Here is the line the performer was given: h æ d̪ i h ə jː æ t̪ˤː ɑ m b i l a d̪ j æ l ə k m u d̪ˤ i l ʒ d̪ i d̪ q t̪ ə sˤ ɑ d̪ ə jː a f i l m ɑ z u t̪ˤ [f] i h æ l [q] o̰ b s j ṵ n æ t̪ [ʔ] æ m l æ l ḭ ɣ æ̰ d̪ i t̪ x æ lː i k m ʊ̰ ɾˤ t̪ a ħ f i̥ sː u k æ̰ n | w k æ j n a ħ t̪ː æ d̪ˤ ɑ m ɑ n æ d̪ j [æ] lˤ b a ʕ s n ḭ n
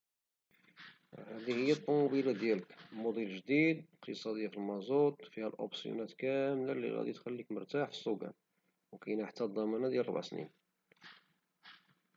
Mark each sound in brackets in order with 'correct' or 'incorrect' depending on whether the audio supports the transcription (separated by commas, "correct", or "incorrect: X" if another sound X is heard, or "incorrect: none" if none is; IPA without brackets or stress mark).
correct, incorrect: ʔ, incorrect: k, correct